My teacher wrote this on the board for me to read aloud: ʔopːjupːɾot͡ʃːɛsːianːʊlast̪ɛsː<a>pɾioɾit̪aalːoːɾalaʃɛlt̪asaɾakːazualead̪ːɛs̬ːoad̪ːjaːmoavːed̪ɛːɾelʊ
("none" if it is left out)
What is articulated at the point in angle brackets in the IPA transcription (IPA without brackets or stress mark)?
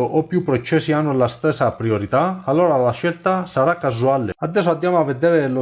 a